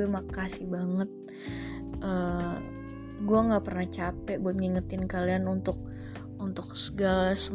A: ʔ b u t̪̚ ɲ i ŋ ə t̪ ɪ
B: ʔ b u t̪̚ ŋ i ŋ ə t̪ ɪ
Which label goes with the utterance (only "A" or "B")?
B